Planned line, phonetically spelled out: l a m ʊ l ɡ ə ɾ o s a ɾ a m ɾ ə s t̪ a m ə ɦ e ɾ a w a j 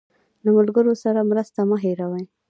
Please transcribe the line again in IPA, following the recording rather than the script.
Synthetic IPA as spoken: l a m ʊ l ɡ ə ɾ o s a ɾ a m ɾ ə s t̪ a m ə ɦ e ɾ a w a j